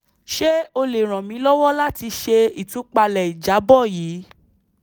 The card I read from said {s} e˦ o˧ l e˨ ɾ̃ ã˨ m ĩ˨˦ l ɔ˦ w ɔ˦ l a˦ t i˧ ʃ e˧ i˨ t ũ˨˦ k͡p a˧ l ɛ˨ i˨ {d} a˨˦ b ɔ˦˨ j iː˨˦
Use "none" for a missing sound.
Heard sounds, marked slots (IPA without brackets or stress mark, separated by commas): ʃ, d͡ʒ